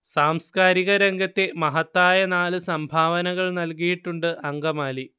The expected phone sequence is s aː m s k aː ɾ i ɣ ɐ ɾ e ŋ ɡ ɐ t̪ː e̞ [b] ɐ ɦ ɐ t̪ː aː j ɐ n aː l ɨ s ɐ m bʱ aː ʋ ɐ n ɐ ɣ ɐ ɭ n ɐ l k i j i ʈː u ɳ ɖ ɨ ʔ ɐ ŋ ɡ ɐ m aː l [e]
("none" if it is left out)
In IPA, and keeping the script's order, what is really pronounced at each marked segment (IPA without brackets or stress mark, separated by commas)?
m, i